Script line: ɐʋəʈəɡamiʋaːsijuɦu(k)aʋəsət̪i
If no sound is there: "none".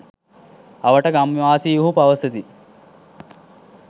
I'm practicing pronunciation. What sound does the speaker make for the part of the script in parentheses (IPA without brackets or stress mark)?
p